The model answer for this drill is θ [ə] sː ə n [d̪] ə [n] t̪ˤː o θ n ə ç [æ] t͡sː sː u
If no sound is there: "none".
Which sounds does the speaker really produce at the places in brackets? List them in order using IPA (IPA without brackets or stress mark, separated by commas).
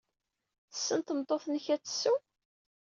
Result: ə, t̪, m, æ